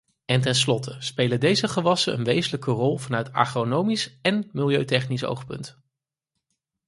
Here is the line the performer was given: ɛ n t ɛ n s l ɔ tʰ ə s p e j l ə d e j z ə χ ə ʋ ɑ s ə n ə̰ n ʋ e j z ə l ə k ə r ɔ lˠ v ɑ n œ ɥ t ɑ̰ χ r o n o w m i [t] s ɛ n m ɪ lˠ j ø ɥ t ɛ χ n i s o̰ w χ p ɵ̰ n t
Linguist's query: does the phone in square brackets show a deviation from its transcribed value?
yes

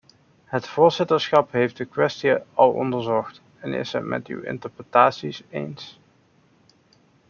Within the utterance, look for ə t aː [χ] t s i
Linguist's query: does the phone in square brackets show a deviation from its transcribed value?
yes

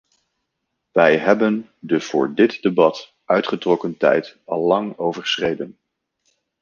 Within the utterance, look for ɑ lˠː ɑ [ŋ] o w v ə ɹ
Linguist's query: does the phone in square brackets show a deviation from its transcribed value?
no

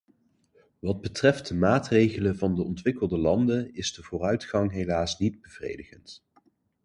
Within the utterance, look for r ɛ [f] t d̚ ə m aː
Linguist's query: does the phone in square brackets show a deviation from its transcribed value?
no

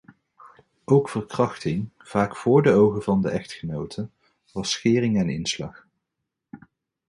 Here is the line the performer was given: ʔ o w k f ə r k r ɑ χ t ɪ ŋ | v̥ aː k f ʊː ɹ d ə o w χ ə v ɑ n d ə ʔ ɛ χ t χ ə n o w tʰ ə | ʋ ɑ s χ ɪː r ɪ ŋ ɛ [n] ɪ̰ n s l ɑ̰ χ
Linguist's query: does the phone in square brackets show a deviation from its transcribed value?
no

